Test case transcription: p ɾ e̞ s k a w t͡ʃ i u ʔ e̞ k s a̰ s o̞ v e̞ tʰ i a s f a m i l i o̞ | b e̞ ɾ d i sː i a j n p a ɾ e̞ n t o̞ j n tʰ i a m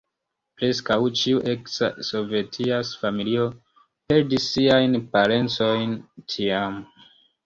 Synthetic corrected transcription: p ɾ e̞ s k a w t͡ʃ i u ʔ e̞ k s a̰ s o̞ v e̞ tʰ i a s f a m i l i o̞ | p e̞ ɾ d i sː i a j n p a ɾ e̞ n t͡s o̞ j n tʰ i a m

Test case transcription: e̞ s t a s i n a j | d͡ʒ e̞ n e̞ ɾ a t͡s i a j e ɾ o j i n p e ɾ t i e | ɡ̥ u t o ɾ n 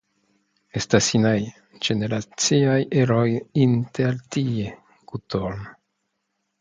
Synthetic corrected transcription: e̞ s t a s i n a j | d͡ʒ e̞ n e̞ ɾ a t͡s i a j e ɾ o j i n t e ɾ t i e | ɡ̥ u t o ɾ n

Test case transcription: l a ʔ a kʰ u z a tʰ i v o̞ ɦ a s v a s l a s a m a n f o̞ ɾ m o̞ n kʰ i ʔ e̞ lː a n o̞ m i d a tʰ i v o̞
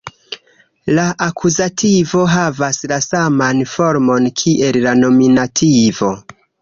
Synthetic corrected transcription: l a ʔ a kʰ u z a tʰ i v o̞ ɦ a v a s l a s a m a n f o̞ ɾ m o̞ n kʰ i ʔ e̞ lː a n o̞ m i n a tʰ i v o̞

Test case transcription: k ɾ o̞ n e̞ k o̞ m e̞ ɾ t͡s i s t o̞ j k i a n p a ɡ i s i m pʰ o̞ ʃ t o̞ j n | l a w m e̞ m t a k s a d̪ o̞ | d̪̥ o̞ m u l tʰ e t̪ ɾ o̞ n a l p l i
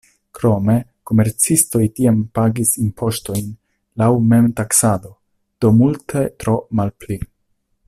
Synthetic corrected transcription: k ɾ o̞ m e̞ k o̞ m e̞ ɾ t͡s i s t o̞ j t i a m p a ɡ i s i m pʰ o̞ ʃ t o̞ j n | l a w m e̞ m t a k s a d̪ o̞ | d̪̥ o̞ m u l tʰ e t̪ ɾ o̞ m a l p l i

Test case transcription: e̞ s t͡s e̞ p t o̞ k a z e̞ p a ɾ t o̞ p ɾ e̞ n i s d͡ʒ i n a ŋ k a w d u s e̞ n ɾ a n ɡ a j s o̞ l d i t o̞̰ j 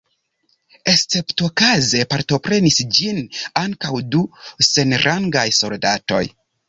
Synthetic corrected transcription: e̞ s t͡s e̞ p t o̞ k a z e̞ p a ɾ t o̞ p ɾ e̞ n i s d͡ʒ i n a ŋ k a w d u s e̞ n ɾ a ŋ ɡ a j s o̞ l d a t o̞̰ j

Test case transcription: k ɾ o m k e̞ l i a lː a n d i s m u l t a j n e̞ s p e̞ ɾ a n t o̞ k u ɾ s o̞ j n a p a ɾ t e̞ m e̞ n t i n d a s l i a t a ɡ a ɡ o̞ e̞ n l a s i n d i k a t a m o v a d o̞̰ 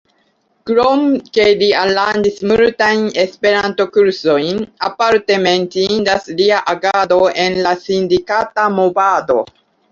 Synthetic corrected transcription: k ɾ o m k e̞ l i a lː a n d i s m u l t a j n e̞ s p e̞ ɾ a n t o̞ k u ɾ s o̞ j n a p a ɾ t e̞ m e̞ n t i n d a s l i a ʔ a ɡ a d o̞ e̞ n l a s i n d i k a t a m o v a d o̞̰

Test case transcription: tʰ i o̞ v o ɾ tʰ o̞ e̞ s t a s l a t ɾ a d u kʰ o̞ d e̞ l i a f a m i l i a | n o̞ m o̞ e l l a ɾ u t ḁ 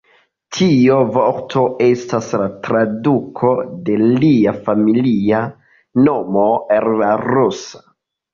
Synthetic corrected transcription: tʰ i o̞ v o ɾ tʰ o̞ e̞ s t a s l a t ɾ a d u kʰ o̞ d e̞ l i a f a m i l i a | n o̞ m o̞ e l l a ɾ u s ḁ

